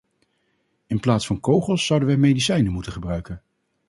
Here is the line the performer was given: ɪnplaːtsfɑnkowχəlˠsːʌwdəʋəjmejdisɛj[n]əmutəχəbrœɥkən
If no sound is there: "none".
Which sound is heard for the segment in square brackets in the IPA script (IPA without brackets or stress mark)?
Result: n